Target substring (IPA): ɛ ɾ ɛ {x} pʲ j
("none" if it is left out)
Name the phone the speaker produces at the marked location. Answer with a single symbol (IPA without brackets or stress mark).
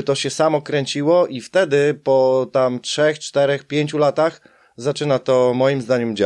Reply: x